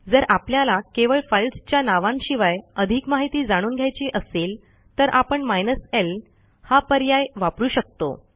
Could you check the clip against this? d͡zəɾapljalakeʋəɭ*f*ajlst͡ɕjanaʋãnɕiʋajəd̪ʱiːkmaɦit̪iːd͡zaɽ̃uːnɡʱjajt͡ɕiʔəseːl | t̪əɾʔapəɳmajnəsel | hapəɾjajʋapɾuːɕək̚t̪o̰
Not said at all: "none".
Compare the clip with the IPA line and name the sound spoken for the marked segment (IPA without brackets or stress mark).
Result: f